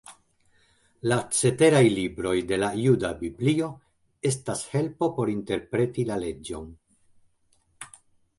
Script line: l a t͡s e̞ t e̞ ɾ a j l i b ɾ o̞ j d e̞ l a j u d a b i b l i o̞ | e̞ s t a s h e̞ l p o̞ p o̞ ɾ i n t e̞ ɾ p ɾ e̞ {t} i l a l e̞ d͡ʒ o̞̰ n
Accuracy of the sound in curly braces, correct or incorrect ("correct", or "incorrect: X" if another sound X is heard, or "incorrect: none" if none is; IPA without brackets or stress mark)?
correct